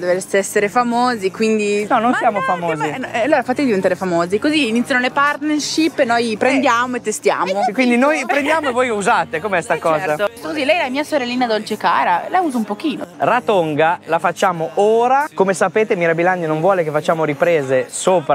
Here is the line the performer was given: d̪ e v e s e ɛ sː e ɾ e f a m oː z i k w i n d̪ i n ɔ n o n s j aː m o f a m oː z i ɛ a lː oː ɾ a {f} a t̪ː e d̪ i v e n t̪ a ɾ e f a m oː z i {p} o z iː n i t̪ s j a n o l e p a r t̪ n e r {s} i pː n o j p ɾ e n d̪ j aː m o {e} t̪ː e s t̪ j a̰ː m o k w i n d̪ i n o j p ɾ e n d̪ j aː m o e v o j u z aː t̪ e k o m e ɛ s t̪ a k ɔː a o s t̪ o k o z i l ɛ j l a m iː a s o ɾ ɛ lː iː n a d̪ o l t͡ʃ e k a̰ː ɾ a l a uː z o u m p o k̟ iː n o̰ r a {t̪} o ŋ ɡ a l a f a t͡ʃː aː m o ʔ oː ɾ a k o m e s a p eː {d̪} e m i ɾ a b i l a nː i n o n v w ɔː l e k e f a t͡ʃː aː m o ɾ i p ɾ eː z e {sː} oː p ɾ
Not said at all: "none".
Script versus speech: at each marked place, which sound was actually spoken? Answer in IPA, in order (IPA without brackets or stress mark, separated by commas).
f, k, ʃ, e, t̪, t̪, s